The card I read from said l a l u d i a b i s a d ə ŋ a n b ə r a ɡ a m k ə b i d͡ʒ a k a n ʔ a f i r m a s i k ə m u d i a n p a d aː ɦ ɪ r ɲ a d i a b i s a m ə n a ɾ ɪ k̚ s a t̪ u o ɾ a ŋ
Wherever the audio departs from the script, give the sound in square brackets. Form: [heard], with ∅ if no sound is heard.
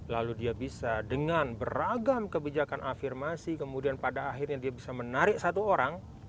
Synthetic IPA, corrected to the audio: l a l u d i a b i s a d ə ŋ a n b ə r a ɡ a m k ə b i d͡ʒ a k a n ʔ a f i r m a s i k ə m u d i a n p a d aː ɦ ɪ r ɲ a d i a b i s a m ə n a ɾ ɪ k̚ s a t̪ u o ɾ a ŋ